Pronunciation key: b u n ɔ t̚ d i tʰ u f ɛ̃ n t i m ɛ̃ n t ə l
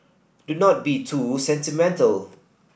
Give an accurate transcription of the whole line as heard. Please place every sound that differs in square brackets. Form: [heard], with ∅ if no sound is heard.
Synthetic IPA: [d] u n ɔ t̚ [b] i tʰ u [s] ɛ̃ n t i m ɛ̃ n t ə l